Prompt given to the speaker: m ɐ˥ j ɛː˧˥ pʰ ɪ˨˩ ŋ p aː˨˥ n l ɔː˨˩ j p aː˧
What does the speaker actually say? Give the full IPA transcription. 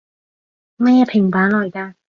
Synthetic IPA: m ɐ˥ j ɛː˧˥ pʰ ɪ˨˩ ŋ p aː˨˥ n l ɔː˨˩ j k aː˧